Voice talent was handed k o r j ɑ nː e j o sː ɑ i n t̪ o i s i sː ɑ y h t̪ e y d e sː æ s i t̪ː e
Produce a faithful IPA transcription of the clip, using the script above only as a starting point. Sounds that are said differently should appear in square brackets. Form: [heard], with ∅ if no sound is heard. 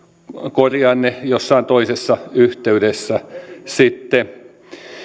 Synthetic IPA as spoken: k o r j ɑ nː e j o sː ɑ i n t̪ o i s [e] sː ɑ y h t̪ e y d e sː æ s i t̪ː e